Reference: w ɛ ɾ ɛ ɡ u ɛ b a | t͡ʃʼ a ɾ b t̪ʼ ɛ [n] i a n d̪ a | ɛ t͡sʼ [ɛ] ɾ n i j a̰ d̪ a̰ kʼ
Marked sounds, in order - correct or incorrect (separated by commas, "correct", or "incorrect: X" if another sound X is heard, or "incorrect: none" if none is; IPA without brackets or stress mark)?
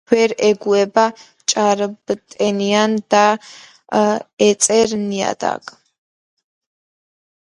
correct, correct